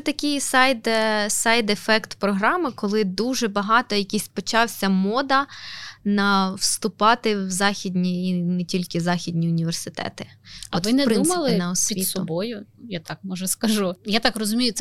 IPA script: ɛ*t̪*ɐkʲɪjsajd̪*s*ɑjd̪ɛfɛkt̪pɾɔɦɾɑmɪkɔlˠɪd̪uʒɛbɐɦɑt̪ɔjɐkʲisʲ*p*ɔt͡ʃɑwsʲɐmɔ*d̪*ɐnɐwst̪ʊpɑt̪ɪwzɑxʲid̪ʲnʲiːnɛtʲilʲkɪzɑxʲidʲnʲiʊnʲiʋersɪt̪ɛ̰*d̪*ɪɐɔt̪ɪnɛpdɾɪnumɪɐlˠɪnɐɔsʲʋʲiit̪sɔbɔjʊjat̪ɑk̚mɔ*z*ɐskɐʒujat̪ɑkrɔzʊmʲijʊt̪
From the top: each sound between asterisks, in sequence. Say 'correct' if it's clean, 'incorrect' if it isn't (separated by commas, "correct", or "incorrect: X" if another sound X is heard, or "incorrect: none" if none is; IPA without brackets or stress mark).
correct, correct, correct, correct, incorrect: t̪, incorrect: ʒ